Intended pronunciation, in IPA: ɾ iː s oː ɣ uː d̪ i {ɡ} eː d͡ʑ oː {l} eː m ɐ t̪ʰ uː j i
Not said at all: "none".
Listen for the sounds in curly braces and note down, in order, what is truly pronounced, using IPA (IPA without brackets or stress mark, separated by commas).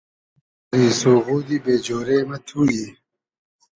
b, ɾ